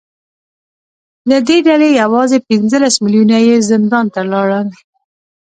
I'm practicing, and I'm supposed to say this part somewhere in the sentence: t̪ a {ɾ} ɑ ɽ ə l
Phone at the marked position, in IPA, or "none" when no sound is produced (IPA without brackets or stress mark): l